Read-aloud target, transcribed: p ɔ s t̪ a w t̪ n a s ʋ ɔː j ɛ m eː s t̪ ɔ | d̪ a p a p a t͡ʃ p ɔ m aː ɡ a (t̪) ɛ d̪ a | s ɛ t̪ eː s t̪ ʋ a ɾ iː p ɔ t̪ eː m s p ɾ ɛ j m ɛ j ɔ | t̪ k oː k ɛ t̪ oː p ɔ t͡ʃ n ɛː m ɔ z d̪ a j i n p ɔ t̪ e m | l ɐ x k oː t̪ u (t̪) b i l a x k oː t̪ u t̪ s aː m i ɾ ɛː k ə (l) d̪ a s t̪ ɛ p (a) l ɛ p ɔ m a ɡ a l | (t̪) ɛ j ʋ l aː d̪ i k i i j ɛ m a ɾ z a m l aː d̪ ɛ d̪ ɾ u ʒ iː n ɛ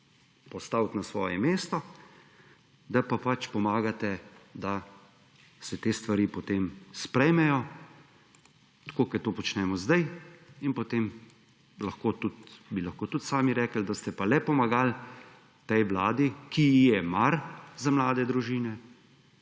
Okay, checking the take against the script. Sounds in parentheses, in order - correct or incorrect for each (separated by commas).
correct, correct, correct, correct, correct